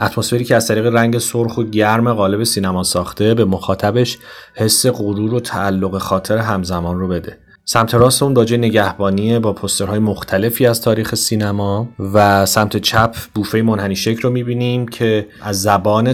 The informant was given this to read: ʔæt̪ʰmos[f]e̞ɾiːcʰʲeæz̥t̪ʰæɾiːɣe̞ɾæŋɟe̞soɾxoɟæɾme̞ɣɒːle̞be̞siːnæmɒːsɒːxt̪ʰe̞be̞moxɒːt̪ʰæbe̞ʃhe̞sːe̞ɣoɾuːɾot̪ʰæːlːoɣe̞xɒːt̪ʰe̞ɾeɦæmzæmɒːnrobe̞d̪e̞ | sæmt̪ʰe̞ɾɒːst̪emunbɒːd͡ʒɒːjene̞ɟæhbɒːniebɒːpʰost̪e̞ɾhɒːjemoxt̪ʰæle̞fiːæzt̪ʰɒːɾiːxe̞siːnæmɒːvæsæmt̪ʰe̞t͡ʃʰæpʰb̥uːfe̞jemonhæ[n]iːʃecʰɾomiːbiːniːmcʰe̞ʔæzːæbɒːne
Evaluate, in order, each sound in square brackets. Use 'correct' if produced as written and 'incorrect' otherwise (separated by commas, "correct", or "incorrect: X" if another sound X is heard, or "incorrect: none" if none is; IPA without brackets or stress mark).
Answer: correct, correct